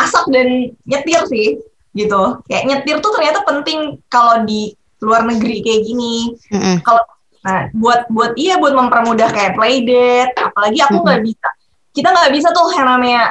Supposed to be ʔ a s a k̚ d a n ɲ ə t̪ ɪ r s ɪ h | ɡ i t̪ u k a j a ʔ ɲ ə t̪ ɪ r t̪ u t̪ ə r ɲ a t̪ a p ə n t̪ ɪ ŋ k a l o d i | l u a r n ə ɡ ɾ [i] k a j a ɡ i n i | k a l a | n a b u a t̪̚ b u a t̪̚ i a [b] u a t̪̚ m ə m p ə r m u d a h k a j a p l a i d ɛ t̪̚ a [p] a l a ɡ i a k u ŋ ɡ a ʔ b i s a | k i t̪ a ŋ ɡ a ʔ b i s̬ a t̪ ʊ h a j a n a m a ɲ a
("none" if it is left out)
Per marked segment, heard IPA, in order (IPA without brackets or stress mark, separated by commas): i, b, p